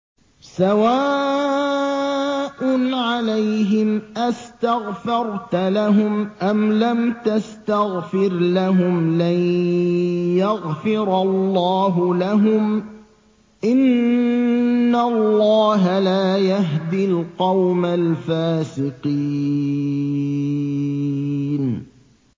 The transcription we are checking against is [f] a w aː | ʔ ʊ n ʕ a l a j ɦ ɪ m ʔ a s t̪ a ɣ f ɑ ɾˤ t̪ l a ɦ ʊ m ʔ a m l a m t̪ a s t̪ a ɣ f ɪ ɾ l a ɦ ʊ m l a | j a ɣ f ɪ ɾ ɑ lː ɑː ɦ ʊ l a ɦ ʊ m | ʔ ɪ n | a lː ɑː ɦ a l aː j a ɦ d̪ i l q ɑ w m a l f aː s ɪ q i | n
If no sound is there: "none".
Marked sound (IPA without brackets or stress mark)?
s